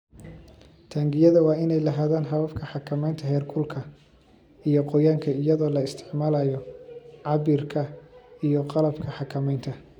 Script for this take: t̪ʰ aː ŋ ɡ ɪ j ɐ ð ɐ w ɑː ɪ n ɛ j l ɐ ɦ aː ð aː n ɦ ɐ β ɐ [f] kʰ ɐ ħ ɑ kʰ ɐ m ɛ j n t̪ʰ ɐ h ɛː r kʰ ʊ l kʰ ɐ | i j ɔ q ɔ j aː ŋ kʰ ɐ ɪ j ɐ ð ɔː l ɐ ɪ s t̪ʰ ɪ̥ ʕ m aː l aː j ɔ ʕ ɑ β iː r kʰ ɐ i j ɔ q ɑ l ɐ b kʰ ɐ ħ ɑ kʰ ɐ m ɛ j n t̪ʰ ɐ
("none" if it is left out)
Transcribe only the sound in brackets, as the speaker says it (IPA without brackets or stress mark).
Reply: f